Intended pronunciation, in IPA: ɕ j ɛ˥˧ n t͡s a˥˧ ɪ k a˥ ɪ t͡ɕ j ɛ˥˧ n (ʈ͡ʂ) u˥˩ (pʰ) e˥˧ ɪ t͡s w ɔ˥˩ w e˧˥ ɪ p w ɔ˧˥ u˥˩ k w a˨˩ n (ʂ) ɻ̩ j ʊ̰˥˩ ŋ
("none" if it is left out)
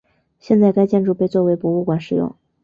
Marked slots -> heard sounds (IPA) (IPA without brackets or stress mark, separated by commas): ʈ͡ʂ, p, ʂ